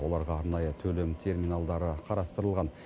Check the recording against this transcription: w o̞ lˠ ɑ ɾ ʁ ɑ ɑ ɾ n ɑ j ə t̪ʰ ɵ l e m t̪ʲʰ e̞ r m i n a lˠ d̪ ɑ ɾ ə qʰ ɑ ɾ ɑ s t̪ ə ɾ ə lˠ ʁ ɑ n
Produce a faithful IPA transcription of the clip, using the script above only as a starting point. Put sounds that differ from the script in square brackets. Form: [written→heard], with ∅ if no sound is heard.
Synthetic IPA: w o̞ lˠ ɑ ɾ ʁ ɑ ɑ ɾ n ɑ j ə t̪ʰ ɵ l e m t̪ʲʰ e̞ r m i n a lˠ d̪ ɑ ɾ ə qʰ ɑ ɾ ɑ s t̪ ə ɾ ə lˠ ʁ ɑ n